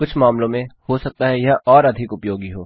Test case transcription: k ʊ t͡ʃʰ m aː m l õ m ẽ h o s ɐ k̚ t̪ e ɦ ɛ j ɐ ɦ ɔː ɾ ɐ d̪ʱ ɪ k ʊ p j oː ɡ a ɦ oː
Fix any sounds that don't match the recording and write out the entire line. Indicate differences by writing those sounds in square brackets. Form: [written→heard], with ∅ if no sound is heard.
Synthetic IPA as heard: k ʊ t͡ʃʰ m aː m l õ m ẽ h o s ɐ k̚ t̪ [e→a] ɦ ɛ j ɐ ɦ ɔː ɾ ɐ d̪ʱ ɪ k ʊ p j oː ɡ [a→i] ɦ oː

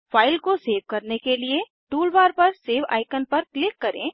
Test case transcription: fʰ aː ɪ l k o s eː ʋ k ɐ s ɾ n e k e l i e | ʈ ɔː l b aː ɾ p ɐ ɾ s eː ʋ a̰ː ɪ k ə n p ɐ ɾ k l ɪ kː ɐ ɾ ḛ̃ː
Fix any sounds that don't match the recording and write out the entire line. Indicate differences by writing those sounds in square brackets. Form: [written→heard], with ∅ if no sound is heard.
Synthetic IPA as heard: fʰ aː ɪ l k o s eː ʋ k ɐ [s→∅] ɾ n e k e l i e | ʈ [ɔː→uː] l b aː ɾ p ɐ ɾ s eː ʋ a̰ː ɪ k ə n p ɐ ɾ k l ɪ kː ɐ ɾ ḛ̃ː

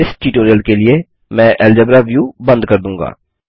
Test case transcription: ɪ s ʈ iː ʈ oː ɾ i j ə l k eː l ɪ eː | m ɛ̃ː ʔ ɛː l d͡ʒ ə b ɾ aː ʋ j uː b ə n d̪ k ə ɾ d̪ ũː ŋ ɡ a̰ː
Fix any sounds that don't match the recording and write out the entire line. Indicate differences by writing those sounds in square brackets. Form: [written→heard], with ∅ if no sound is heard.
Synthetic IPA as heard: ɪ s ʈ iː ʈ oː ɾ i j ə l k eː l ɪ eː | m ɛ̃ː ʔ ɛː l d͡ʒ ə b ɾ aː ʋ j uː b ə n d̪ k ə ɾ d̪ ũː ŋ ɡ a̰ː

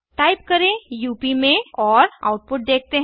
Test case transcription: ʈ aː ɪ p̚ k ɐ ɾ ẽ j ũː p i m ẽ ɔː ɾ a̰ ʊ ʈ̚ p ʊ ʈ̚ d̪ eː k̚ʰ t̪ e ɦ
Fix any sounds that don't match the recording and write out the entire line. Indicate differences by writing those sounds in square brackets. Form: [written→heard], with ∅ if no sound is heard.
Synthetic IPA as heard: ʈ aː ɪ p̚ k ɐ ɾ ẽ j [ũː→uː] p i m ẽ ɔː ɾ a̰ ʊ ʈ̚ p ʊ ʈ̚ d̪ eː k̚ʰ t̪ e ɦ

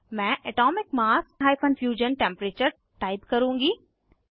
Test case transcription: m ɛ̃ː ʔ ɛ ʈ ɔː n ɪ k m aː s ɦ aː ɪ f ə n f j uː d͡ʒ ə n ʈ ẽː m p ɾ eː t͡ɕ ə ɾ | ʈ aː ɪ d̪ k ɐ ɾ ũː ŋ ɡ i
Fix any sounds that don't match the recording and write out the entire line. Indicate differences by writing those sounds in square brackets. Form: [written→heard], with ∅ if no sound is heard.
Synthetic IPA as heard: m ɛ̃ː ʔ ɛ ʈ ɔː [n→m] ɪ k m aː s ɦ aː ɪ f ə n f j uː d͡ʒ ə n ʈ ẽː m p ɾ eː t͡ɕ ə ɾ | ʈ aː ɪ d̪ k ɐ ɾ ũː ŋ ɡ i

